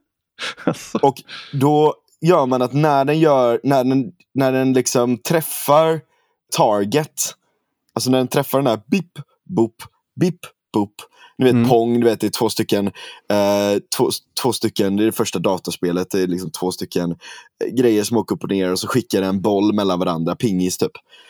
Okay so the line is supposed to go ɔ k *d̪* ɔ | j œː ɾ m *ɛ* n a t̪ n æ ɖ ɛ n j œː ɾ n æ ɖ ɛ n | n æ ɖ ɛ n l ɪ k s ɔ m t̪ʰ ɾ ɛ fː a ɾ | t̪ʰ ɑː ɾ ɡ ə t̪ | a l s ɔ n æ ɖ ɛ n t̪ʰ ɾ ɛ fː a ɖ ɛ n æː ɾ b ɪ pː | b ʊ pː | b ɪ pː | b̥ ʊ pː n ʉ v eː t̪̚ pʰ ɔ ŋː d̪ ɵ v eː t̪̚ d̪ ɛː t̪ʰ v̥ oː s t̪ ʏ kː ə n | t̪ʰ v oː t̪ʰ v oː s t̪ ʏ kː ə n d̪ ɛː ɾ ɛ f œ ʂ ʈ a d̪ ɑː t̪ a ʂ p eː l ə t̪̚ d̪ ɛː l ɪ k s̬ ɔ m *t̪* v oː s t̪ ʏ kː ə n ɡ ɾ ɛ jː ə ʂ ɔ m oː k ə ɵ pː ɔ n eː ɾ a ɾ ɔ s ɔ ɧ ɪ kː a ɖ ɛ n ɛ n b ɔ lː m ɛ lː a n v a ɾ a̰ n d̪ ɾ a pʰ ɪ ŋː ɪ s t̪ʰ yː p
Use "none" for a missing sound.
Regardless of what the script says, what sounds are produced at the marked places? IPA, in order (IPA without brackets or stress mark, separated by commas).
d̪, a, t̪ʰ